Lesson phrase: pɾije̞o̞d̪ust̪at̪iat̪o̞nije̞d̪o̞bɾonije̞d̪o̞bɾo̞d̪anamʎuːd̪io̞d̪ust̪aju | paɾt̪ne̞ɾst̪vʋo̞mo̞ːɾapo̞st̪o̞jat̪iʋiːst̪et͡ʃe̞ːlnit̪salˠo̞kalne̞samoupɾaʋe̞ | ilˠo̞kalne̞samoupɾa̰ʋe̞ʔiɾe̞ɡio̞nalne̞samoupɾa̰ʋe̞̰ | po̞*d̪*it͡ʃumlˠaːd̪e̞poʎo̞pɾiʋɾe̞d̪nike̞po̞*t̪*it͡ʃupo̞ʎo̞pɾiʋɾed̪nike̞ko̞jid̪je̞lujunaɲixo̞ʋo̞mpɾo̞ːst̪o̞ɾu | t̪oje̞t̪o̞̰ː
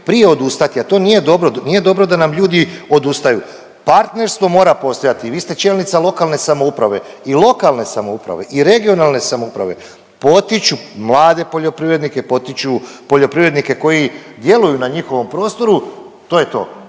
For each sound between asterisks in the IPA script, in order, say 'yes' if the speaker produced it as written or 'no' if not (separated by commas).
no, yes